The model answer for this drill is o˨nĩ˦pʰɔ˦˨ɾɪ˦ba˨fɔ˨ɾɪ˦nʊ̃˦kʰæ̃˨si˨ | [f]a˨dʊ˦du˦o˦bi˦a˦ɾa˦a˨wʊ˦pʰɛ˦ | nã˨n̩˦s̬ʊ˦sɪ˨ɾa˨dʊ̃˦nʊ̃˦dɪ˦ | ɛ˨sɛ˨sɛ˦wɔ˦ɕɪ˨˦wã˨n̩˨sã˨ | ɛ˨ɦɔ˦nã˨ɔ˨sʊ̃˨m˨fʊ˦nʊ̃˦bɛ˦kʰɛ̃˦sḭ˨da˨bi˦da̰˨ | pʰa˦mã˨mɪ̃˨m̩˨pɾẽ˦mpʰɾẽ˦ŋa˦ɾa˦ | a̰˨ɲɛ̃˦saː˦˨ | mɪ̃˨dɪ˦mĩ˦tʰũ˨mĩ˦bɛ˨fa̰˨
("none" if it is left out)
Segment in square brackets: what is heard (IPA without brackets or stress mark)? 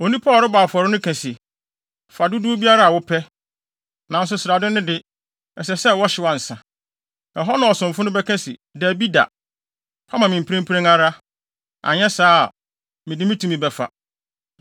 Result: f